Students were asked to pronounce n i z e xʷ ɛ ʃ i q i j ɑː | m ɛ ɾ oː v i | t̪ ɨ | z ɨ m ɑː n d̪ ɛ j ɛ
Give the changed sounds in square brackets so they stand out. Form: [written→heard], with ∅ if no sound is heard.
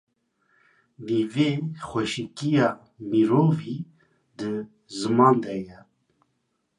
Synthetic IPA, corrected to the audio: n i [z→v] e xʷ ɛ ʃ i [q→k] i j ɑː | m [ɛ→i] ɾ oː v i | [t̪→d̪] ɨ | z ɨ m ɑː n d̪ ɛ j ɛ

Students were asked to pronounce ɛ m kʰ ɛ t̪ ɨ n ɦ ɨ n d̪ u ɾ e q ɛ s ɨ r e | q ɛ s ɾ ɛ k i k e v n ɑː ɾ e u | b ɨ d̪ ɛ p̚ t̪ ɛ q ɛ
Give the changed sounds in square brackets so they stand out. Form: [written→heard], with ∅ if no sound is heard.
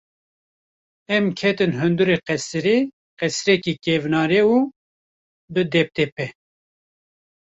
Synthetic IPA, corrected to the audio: ɛ m kʰ ɛ t̪ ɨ n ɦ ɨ n d̪ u ɾ e q ɛ s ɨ [r→ɾ] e | q ɛ s ɾ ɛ k i k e v n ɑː ɾ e u | b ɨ d̪ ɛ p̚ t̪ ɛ [q→p] ɛ

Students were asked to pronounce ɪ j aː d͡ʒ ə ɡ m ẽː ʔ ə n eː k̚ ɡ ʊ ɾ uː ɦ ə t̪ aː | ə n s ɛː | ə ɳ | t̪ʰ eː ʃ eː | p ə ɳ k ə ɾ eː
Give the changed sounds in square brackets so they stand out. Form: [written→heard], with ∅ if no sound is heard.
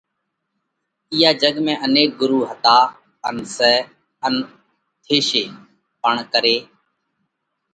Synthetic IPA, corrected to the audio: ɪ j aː d͡ʒ ə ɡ m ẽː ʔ ə n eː k̚ ɡ ʊ ɾ uː ɦ ə t̪ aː | ə n s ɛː | ə [ɳ→n] | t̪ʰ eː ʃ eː | p ə ɳ k ə ɾ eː

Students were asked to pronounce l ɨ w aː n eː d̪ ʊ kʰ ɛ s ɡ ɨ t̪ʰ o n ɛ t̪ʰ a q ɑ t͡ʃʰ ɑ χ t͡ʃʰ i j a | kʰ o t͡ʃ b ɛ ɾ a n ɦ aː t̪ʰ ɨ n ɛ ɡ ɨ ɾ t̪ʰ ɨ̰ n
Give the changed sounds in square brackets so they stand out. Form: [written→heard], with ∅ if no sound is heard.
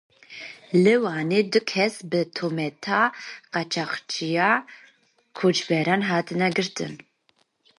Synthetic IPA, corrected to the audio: l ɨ w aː n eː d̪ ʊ kʰ ɛ s [ɡ→b] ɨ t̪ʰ o [n→m] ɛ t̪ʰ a q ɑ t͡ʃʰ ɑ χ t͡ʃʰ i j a | kʰ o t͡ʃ b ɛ ɾ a n ɦ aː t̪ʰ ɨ n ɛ ɡ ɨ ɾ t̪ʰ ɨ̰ n

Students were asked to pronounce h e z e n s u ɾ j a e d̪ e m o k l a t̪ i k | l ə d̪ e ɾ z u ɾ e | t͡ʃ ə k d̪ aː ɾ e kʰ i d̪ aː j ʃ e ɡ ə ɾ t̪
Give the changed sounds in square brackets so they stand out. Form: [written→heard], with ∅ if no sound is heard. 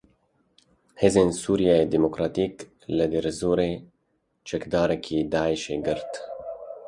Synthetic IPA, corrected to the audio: h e z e n s u ɾ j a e d̪ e m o k [l→ɾ] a t̪ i k | l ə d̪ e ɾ z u ɾ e | t͡ʃ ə k d̪ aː ɾ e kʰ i d̪ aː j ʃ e ɡ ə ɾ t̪

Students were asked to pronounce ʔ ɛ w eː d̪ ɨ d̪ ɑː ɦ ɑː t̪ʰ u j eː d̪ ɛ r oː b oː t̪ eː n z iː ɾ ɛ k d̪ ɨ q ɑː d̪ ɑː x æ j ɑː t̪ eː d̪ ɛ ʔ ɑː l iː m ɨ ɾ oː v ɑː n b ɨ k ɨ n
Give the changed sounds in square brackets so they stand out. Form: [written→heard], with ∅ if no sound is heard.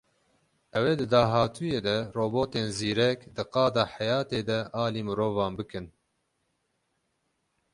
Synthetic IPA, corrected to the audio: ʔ ɛ w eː d̪ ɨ d̪ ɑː ɦ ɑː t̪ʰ u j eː d̪ ɛ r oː b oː t̪ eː n z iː ɾ ɛ k d̪ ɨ q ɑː d̪ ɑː [x→ħ] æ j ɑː t̪ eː d̪ ɛ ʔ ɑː l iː m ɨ ɾ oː v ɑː n b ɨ k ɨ n

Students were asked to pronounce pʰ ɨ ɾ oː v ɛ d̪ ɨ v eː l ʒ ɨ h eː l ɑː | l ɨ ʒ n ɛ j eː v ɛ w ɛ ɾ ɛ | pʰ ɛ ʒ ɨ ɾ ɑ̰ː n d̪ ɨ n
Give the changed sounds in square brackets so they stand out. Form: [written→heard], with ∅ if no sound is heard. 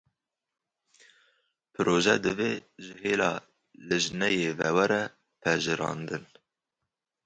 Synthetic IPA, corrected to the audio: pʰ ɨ ɾ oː [v→ʒ] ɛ d̪ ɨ v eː [l→∅] ʒ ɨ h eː l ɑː | l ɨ ʒ n ɛ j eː v ɛ w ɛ ɾ ɛ | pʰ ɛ ʒ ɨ ɾ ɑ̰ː n d̪ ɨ n

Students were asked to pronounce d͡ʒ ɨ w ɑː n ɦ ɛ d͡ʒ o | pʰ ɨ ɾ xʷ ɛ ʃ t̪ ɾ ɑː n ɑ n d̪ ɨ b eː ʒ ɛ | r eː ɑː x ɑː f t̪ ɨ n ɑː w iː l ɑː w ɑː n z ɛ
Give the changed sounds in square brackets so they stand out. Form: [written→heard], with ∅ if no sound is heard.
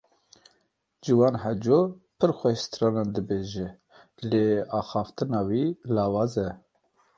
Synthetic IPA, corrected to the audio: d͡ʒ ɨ w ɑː n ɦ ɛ d͡ʒ o | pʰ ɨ ɾ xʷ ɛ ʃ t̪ ɾ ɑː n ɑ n d̪ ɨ b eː ʒ ɛ | [r→l] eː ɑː x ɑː f t̪ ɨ n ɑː w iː l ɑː w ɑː [n→∅] z ɛ

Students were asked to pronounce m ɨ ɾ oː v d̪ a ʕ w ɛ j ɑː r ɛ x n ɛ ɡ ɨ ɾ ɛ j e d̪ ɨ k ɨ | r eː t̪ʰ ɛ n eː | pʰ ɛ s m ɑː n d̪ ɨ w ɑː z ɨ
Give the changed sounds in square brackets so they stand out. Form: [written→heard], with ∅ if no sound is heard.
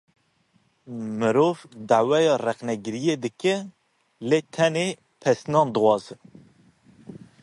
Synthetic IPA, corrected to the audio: m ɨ ɾ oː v d̪ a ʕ w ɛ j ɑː r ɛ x n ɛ ɡ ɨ ɾ [ɛ→i] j e d̪ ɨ k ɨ | [r→l] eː t̪ʰ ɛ n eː | pʰ ɛ s [m→n] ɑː n d̪ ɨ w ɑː z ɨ

